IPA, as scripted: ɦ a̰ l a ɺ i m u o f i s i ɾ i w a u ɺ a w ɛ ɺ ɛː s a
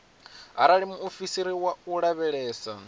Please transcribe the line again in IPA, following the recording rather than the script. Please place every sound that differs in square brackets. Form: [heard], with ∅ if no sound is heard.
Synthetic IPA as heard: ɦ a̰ [ɾ] a ɺ i m u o f i s i ɾ i w a u ɺ a [β] ɛ ɺ ɛː s a